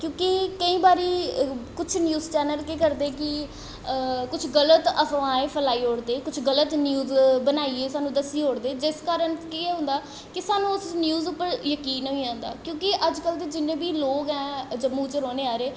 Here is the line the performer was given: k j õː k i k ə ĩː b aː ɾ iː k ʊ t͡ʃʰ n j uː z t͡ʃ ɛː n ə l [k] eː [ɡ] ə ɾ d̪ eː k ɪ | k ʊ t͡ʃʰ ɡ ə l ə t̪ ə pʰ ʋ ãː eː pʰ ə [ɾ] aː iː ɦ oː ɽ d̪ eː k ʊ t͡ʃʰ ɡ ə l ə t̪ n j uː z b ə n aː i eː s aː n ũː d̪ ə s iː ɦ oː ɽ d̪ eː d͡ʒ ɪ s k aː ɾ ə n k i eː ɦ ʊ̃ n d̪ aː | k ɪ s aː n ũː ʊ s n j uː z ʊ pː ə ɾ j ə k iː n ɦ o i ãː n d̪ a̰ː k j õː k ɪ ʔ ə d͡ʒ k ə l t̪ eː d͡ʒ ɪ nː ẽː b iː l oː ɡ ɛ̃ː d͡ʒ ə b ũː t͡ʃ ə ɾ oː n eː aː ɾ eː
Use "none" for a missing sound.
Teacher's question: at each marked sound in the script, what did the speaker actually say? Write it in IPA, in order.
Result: k, k, l

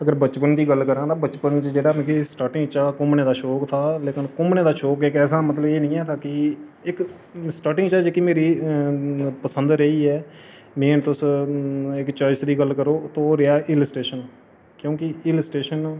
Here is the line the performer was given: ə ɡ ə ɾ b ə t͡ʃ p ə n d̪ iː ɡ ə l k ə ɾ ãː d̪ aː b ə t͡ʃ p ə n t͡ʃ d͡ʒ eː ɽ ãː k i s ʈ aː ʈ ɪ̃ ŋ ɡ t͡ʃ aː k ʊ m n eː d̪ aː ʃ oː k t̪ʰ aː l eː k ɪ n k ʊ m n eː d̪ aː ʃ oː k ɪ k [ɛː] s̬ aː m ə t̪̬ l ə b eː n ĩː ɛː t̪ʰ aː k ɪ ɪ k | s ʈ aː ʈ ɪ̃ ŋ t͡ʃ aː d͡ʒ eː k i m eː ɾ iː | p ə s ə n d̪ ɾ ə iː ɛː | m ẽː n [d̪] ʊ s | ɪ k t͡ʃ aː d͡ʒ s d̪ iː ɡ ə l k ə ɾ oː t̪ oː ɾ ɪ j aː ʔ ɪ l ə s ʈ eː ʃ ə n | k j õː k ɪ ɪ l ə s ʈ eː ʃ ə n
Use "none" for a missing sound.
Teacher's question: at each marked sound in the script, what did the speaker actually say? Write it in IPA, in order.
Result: ɛː, t̪

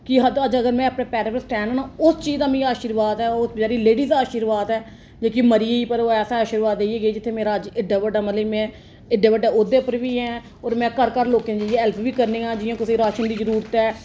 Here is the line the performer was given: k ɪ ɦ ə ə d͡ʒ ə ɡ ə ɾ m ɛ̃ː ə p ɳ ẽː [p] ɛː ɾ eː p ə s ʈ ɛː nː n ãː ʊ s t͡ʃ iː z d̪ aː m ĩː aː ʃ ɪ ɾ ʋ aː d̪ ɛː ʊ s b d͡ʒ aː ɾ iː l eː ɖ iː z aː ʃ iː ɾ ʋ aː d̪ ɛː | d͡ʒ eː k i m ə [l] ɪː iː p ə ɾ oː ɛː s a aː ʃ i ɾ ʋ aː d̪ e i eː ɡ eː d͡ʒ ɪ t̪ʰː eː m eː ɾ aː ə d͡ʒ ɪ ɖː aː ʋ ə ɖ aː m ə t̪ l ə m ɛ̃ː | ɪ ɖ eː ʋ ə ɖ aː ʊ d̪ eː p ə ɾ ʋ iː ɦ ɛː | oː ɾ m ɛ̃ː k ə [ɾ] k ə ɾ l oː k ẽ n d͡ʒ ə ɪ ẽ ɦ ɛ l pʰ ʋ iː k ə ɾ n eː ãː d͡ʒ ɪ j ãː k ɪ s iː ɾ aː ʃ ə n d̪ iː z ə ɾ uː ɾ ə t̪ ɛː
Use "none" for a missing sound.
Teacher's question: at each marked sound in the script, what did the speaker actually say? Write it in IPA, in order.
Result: p, ɾ, ɾ

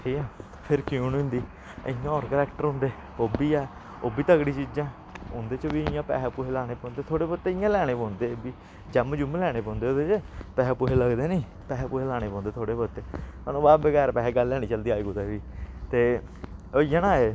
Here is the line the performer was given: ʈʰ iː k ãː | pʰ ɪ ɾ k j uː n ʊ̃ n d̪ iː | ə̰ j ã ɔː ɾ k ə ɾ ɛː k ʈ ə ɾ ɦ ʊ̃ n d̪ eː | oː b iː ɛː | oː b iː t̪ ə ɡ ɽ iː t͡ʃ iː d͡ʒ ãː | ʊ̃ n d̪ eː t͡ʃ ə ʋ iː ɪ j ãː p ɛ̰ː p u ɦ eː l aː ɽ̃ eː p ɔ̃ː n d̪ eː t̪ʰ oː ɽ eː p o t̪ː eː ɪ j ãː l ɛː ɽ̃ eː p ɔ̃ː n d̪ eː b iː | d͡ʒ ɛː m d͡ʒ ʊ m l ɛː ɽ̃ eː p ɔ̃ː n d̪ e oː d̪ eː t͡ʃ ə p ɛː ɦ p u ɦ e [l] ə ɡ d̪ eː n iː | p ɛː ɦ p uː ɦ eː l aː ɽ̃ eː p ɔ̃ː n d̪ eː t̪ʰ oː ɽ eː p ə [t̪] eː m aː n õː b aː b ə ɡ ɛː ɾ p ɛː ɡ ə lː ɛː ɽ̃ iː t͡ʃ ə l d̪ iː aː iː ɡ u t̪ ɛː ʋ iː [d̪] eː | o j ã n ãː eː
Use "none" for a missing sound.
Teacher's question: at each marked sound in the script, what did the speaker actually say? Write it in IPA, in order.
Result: l, t̪, t̪

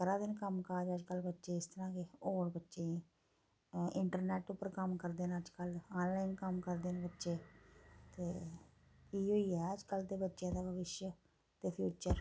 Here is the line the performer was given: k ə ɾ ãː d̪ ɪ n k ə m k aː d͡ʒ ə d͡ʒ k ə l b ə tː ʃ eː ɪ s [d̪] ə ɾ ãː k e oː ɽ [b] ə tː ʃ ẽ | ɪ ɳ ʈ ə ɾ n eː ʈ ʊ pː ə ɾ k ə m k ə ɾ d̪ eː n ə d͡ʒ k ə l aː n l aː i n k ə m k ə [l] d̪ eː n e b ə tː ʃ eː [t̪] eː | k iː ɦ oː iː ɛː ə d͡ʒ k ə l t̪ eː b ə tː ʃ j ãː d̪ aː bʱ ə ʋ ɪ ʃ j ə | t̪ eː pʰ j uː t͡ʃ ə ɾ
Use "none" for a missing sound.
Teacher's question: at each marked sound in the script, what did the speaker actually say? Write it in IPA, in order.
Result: t̪, b, ɾ, t̪

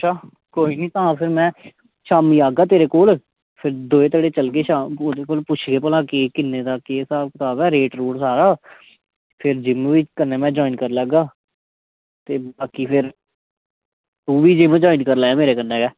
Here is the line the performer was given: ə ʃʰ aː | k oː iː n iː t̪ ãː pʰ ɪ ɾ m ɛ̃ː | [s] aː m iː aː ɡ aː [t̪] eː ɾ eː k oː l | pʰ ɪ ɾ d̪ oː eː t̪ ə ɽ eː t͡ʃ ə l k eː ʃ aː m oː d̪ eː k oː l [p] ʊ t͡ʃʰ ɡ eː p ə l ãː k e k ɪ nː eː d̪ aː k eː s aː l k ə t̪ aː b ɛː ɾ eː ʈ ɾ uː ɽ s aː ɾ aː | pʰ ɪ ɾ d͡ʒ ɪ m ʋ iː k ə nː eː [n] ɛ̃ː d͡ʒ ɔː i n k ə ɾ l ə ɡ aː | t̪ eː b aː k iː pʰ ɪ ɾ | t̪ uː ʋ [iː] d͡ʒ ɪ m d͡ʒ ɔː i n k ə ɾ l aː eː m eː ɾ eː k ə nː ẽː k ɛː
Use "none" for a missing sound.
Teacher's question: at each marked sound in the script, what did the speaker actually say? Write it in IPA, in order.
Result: ʃ, t̪, p, m, iː

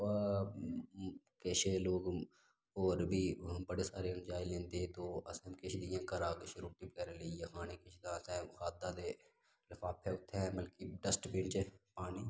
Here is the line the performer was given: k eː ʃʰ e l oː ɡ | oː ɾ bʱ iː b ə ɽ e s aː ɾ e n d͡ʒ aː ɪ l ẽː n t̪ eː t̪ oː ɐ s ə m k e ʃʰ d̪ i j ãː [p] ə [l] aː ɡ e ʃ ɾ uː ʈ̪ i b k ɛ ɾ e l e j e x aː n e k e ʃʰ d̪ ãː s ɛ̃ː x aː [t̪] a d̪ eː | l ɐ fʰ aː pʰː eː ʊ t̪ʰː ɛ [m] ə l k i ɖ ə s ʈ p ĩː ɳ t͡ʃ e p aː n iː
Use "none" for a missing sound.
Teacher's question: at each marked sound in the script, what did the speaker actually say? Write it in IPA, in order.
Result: k, ɾ, d̪, m

